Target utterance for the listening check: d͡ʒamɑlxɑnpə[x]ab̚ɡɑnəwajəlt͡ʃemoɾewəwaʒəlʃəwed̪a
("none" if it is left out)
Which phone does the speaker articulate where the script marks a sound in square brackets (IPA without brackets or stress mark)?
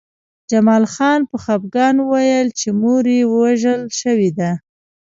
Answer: x